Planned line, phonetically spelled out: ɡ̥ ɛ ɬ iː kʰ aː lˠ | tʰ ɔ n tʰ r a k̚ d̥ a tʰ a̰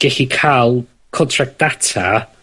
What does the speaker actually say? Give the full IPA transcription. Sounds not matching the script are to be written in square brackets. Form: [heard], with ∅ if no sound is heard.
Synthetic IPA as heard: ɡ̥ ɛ ɬ [i] kʰ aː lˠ | [kʰ] ɔ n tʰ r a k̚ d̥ a tʰ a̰

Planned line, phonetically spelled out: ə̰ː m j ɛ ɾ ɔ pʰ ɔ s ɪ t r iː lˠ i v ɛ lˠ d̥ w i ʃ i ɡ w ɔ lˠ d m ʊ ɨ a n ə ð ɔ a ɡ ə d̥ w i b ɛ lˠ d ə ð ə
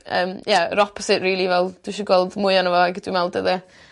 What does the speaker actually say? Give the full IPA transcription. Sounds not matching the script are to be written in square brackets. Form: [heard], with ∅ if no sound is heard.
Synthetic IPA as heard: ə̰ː m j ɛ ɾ ɔ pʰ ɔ s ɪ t r iː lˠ i v ɛ lˠ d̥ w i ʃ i ɡ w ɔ lˠ d m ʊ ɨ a n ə [v] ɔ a ɡ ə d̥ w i [m] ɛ lˠ d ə ð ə

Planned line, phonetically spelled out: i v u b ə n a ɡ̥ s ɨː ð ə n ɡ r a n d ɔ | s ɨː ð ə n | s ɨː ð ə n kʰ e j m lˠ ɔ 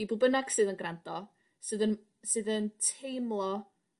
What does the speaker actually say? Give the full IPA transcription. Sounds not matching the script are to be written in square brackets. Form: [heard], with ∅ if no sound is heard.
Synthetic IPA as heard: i [b] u b ə n a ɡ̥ s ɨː ð ə n ɡ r a n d ɔ | s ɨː ð ə n | s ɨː ð ə n [tʰ] e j m lˠ ɔ

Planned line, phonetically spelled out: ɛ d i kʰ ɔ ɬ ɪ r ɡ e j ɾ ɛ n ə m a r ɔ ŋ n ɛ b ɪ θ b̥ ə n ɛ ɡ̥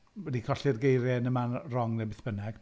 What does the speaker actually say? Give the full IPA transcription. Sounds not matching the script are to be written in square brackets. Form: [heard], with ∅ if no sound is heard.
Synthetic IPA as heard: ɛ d i kʰ ɔ ɬ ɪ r ɡ e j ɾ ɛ n ə m a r ɔ ŋ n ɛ b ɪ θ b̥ ə n ɛ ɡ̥

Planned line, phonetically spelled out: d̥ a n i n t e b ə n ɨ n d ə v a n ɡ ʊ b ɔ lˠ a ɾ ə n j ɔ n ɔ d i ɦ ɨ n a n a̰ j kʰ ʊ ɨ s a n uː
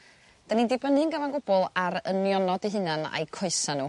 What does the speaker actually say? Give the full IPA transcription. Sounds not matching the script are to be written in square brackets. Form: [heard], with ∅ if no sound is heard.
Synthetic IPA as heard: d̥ a n i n [d] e b ə n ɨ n [ɡ] ə v a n ɡ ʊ b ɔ lˠ a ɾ ə n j ɔ n ɔ d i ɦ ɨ n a n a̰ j kʰ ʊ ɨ s a n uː

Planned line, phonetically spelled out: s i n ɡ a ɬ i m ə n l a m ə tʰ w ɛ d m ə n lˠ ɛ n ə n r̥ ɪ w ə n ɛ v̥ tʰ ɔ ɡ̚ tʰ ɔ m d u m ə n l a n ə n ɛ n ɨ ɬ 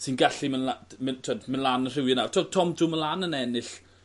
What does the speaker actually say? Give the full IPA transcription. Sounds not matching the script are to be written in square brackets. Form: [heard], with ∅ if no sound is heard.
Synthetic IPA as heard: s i n ɡ a ɬ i m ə n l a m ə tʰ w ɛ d m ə n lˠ [a] n ə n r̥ ɪ w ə n [a] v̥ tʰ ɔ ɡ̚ tʰ ɔ m d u m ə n l a n ə n ɛ n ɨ ɬ

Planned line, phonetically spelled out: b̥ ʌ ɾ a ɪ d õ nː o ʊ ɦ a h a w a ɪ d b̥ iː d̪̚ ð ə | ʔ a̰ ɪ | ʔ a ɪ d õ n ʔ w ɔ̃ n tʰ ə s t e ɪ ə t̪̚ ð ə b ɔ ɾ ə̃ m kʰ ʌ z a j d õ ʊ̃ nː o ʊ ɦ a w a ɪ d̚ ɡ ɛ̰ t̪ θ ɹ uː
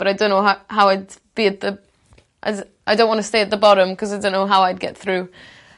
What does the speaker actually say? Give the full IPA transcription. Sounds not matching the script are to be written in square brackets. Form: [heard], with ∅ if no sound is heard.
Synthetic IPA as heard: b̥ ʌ ɾ a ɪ d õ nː o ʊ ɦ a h a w a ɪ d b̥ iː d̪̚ ð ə | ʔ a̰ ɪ | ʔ a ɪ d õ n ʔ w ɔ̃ n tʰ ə s t e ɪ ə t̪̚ ð ə b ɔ ɾ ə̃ m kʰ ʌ z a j d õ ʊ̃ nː o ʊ ɦ a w a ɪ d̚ ɡ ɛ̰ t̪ θ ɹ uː

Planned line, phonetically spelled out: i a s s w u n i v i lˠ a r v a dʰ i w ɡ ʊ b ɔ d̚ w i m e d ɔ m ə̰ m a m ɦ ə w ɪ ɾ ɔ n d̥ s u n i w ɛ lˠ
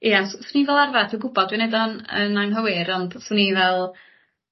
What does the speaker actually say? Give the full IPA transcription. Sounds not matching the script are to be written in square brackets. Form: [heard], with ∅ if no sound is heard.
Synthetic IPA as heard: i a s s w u n i v [ɛ] lˠ a r v a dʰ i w ɡ ʊ b ɔ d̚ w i [n] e d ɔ [n] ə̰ [n] a [ŋ] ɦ ə w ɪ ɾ ɔ n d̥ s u n i [v] ɛ lˠ

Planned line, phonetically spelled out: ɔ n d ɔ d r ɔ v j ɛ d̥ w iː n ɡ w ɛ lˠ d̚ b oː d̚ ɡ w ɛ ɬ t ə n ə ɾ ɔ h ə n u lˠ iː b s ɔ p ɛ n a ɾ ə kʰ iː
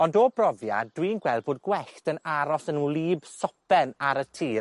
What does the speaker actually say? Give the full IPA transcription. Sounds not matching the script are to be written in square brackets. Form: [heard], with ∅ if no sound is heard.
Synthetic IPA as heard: ɔ n d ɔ [b] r ɔ v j [a] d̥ w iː n ɡ w ɛ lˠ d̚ b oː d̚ ɡ w ɛ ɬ t ə n [a] ɾ ɔ [s] ə n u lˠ iː b s ɔ p ɛ n a ɾ ə [tʰ] iː

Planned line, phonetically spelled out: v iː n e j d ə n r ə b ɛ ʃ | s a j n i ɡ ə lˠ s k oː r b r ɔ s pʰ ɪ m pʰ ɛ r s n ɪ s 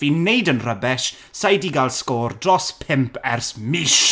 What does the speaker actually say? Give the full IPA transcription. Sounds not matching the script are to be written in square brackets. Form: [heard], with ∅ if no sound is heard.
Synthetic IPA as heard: v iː n e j d ə n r ə b ɛ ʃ | s a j [d] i ɡ [a] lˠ s k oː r [d] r ɔ s pʰ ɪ m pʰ ɛ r s [m] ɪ [ʃ]

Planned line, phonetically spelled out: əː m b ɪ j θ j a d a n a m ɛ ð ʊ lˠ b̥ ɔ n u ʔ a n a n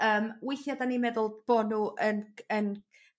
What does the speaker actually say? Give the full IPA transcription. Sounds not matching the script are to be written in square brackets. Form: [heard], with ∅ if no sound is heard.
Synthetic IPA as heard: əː m [w] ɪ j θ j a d a n [i] m ɛ ð ʊ lˠ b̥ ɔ n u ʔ [ə] n [ə] n

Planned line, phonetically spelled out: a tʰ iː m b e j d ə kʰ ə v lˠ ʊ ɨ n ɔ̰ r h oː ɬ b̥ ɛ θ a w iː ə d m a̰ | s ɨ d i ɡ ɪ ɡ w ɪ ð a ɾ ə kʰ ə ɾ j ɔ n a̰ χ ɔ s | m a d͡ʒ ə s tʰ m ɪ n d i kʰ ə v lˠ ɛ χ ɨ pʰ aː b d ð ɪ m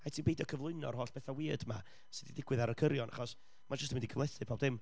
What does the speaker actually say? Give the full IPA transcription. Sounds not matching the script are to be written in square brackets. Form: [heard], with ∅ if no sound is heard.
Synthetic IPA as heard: a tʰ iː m b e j d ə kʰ ə v lˠ ʊ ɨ n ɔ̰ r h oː ɬ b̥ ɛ θ a w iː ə d m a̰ | s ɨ d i [d] ɪ ɡ w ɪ ð a ɾ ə kʰ ə ɾ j ɔ n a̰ χ ɔ s | m a d͡ʒ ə s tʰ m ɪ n d i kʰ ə v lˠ ɛ [θ] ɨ pʰ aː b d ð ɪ m

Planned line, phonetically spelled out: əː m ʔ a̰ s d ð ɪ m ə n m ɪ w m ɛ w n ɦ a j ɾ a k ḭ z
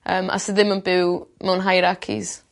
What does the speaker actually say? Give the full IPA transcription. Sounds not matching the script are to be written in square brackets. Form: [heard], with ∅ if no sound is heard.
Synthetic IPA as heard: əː m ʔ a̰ s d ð ɪ m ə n [b] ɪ w m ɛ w n ɦ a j ɾ a [kʰ] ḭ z

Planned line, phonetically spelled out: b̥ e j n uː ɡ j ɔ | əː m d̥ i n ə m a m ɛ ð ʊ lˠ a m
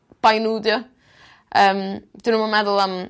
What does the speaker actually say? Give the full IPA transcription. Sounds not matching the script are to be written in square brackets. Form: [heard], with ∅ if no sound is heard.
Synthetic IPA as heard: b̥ [a] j n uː [d] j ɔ | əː m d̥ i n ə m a m ɛ ð ʊ lˠ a m

